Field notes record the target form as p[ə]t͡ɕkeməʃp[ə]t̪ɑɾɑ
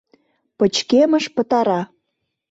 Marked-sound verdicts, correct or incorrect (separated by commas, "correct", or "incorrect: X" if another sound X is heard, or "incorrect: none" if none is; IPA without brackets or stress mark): correct, correct